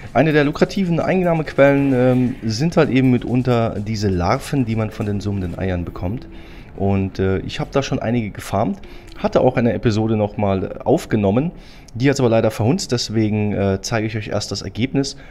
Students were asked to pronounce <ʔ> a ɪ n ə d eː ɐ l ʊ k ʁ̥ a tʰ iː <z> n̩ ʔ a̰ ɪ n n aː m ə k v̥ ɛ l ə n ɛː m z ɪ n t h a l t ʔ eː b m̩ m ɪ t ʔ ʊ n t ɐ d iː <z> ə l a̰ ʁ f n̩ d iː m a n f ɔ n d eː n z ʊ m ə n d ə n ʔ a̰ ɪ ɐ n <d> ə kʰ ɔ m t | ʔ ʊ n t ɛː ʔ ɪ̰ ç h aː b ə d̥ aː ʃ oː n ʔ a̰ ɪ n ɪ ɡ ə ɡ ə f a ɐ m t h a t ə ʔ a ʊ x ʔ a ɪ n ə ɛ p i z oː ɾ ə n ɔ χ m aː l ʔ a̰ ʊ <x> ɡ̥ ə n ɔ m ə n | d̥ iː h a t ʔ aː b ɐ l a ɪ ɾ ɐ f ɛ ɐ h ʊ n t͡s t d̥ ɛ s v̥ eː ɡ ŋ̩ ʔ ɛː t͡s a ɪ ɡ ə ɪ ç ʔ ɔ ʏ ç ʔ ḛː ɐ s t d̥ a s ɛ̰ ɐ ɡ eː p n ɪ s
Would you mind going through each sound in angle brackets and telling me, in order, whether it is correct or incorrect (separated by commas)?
correct, incorrect, correct, incorrect, incorrect